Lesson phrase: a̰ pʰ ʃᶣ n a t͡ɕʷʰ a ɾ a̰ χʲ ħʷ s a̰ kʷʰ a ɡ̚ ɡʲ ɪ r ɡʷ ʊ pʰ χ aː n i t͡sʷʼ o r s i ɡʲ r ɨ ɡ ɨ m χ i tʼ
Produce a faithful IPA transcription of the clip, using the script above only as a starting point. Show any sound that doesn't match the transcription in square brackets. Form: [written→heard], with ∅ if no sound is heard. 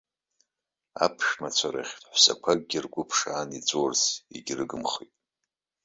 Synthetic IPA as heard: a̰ pʰ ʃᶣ [n→m] a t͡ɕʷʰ a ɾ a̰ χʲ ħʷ s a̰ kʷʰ a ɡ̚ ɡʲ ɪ r ɡʷ ʊ pʰ [χ→ʂ] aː n i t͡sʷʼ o r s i ɡʲ r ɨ ɡ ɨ m χ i tʼ